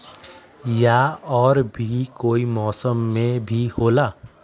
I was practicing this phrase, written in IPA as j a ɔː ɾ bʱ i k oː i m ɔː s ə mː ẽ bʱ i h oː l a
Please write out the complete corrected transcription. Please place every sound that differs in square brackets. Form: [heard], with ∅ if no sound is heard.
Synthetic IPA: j a ɔː ɾ bʱ i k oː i m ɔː s ə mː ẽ bʱ i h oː l a